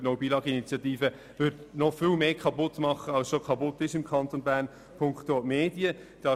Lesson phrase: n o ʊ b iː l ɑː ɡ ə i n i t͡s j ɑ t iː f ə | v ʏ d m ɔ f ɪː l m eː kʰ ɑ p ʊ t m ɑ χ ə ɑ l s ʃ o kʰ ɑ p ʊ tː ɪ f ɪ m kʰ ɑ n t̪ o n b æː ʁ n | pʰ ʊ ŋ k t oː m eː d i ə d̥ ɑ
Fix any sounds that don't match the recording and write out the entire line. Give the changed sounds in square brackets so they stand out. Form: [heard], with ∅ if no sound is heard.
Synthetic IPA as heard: n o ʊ b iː l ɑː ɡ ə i n i t͡s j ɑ t iː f ə | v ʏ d [n] ɔ f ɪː l m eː kʰ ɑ p ʊ t m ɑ χ ə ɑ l s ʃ o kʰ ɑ p ʊ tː ɪ [ʃ] ɪ m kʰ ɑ n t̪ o n b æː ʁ n | pʰ ʊ ŋ k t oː m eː d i ə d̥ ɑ